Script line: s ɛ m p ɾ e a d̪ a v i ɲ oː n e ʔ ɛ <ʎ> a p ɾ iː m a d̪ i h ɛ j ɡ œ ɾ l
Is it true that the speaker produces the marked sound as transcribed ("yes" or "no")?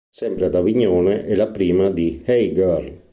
no